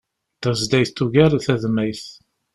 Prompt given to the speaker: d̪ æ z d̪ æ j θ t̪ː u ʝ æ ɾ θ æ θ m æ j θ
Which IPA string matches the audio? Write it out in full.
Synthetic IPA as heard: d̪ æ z d̪ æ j θ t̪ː u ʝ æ ɾ θ æ ð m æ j θ